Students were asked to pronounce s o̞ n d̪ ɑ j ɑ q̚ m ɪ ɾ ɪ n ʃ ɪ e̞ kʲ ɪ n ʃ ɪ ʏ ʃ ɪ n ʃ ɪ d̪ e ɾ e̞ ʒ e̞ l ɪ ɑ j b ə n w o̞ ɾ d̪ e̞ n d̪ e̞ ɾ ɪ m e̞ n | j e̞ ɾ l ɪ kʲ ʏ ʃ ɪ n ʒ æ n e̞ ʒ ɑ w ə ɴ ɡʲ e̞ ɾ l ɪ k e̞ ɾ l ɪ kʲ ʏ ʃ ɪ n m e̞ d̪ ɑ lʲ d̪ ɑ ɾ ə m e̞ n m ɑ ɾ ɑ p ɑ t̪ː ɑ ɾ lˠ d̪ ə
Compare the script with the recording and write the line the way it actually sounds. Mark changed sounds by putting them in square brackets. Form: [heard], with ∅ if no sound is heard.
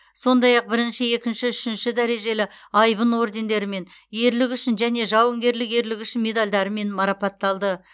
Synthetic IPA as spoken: s o̞ n d̪ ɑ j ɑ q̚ [b] ɪ ɾ ɪ n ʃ ɪ e̞ kʲ ɪ n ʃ ɪ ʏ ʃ ɪ n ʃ ɪ d̪ [æ] ɾ e̞ ʒ e̞ l ɪ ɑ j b ə n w o̞ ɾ d̪ e̞ n d̪ e̞ ɾ ɪ m e̞ n | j e̞ ɾ l ɪ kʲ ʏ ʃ ɪ n ʒ æ n e̞ ʒ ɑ w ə [ŋ] ɡʲ e̞ ɾ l ɪ k e̞ ɾ l ɪ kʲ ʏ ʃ ɪ n m e̞ d̪ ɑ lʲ d̪ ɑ ɾ ə m e̞ n m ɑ ɾ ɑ p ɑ t̪ː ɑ [∅] lˠ d̪ ə

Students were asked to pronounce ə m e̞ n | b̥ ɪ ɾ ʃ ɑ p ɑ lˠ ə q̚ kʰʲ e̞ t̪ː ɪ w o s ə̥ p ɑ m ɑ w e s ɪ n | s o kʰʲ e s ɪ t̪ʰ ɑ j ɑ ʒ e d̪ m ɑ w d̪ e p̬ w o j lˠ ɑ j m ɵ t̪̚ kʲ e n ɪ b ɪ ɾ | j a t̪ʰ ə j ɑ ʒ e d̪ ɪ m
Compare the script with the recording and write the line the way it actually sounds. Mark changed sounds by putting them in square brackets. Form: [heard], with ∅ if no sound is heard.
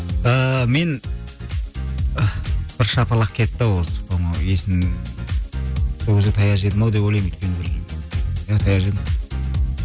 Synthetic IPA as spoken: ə m e̞ n | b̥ ɪ ɾ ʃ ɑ p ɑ lˠ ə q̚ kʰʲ e̞ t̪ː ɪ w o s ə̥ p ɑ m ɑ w e s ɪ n | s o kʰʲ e [z] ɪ t̪ʰ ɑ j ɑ ʒ e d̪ m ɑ w d̪ e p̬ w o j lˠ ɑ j m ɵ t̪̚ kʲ e n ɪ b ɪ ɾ | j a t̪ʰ [ɑ] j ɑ ʒ e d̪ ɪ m

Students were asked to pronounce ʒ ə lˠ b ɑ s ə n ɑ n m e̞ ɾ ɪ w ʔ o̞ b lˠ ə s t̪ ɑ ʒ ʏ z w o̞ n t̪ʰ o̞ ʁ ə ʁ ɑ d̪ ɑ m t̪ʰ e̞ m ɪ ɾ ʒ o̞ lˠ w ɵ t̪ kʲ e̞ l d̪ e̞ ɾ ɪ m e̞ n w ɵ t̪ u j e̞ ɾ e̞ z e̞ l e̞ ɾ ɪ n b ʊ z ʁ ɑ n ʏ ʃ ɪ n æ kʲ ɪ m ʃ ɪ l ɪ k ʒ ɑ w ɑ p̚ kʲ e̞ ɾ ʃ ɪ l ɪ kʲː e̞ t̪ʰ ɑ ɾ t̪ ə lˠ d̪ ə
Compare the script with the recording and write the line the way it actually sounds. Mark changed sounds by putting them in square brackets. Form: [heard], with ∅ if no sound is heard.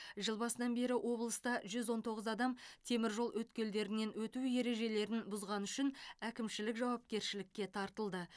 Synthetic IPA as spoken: ʒ ə lˠ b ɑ s ə n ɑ n [b] e̞ ɾ ɪ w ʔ o̞ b lˠ ə s t̪ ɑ ʒ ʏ z w o̞ n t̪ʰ o̞ ʁ ə [z] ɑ d̪ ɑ m t̪ʰ e̞ m ɪ ɾ ʒ o̞ lˠ w ɵ t̪ kʲ e̞ l d̪ e̞ ɾ ɪ [n] e̞ n w ɵ t̪ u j e̞ ɾ e̞ [ʒ] e̞ l e̞ ɾ ɪ n b ʊ z ʁ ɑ n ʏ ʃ ɪ n æ kʲ ɪ m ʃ ɪ l ɪ k ʒ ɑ w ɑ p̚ kʲ e̞ ɾ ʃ ɪ l ɪ kʲː e̞ t̪ʰ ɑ ɾ t̪ ə lˠ d̪ ə

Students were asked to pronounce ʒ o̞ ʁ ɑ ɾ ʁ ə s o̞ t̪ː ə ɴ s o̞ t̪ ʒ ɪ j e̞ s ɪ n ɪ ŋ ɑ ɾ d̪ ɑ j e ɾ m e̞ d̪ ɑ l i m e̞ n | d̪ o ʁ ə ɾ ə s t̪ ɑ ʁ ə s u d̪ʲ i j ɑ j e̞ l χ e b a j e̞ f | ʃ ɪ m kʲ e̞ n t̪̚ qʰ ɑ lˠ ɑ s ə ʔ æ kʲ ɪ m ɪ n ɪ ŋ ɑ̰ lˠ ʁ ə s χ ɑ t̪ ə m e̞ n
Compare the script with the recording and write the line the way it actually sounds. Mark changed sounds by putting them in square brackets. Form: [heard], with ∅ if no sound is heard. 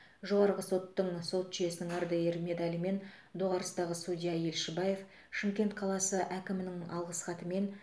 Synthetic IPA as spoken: ʒ o̞ ʁ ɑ ɾ ʁ ə s o̞ t̪ː ə ɴ s o̞ t̪ ʒ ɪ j e̞ s ɪ n ɪ ŋ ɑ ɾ d̪ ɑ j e ɾ m e̞ d̪ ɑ l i m e̞ n | d̪ o ʁ [ɑ] ɾ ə s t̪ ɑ ʁ ə s u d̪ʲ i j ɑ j e̞ l [ʃ] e b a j e̞ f | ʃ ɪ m kʲ e̞ n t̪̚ qʰ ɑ lˠ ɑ s ə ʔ æ kʲ ɪ m ɪ n ɪ ŋ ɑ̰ lˠ ʁ ə s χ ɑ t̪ ə m e̞ n

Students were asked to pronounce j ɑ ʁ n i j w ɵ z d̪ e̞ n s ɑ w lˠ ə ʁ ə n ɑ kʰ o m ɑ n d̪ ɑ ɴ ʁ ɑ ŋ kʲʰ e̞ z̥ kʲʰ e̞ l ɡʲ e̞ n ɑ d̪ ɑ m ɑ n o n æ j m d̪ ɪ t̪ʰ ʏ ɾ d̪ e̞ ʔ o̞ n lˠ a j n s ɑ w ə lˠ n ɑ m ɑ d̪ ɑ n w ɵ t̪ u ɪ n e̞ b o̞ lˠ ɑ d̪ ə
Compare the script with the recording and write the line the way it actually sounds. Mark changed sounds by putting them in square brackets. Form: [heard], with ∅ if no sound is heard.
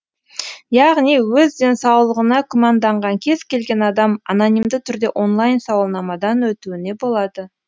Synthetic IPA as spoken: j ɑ ʁ n i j w ɵ z d̪ e̞ n s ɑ w lˠ ə ʁ ə n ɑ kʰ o m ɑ n d̪ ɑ ɴ ʁ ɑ ŋ kʲʰ e̞ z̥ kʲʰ e̞ l ɡʲ e̞ n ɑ d̪ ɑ m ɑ n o n [i] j m d̪ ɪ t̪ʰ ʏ ɾ d̪ e̞ ʔ o̞ n lˠ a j n s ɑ w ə lˠ n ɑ m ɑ d̪ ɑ n w ɵ t̪ u ɪ n e̞ b o̞ lˠ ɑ d̪ ə

